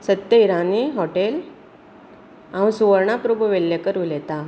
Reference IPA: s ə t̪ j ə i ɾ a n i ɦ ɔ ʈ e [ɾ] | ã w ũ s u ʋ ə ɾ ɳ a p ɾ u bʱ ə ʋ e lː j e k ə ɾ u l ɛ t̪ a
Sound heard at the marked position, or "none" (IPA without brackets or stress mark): l